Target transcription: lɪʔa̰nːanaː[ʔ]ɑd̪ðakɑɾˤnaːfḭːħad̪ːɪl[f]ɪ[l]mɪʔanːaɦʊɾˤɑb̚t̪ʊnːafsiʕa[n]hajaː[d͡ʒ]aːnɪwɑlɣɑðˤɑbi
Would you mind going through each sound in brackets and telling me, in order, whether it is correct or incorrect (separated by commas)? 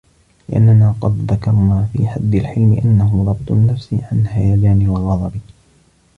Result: incorrect, incorrect, correct, correct, correct